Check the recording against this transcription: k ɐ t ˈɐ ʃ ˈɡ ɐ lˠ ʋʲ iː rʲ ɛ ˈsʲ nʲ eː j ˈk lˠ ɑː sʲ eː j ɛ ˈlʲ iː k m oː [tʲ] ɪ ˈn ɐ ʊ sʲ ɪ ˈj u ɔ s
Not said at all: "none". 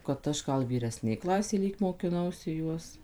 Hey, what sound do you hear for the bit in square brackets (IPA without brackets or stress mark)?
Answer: kʲ